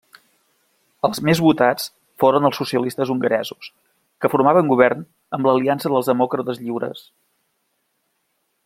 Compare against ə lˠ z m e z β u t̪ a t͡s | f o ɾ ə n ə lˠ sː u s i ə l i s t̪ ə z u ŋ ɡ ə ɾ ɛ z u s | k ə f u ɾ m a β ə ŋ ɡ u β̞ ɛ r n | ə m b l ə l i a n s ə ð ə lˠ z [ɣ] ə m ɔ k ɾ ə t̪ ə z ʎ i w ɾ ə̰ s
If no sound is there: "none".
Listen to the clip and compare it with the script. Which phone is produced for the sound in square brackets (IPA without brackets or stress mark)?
ð